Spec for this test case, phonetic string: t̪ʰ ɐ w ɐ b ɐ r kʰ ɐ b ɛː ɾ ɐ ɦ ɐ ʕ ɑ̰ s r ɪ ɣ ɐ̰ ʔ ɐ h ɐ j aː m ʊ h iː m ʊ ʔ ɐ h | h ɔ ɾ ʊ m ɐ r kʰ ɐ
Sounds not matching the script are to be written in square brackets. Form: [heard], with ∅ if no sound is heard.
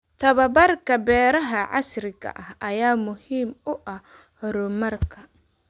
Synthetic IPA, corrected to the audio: t̪ʰ ɐ [β] ɐ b ɐ r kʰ ɐ b ɛː ɾ ɐ ɦ ɐ ʕ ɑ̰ s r ɪ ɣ ɐ̰ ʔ ɐ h ɐ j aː m ʊ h iː m ʊ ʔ ɐ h | h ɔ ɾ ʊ m ɐ r kʰ ɐ